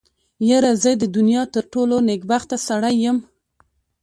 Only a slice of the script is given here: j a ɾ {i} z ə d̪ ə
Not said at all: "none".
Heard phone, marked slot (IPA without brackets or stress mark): a